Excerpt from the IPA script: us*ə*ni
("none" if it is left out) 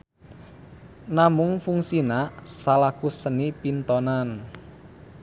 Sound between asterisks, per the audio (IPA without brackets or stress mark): ə